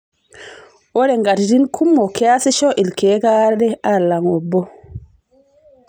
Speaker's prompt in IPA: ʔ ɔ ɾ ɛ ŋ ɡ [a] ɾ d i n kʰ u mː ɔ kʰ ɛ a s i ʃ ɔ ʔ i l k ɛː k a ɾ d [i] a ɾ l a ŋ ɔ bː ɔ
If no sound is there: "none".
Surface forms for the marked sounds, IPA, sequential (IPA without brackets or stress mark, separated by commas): a, ɛ